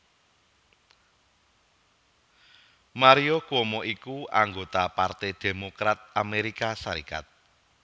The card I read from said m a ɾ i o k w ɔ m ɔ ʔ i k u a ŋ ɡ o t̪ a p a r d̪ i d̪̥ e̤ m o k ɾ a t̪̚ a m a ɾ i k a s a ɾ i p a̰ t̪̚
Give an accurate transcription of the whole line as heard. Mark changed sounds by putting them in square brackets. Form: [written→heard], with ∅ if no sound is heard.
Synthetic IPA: m a ɾ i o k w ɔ m ɔ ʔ i k u a ŋ ɡ o t̪ a p a r [d̪→t̪] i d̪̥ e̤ m o k ɾ a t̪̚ a m [a→e] ɾ i k a s a ɾ i [p→k] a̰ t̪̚